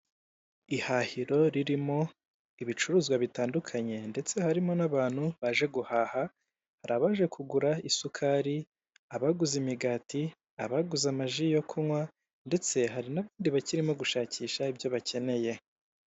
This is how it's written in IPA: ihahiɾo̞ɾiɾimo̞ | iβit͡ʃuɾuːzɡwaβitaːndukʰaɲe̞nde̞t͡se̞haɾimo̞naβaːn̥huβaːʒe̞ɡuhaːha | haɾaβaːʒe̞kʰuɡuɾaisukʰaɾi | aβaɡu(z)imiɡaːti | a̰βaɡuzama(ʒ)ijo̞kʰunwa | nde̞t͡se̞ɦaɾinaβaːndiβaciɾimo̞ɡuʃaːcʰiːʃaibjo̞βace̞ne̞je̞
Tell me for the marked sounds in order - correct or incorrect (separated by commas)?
correct, correct